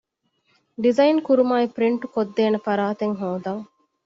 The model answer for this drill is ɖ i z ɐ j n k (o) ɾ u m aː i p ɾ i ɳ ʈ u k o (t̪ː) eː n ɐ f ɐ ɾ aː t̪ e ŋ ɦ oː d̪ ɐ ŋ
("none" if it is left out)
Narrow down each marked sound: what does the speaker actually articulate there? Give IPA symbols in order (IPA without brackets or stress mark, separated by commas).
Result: u, d̪ː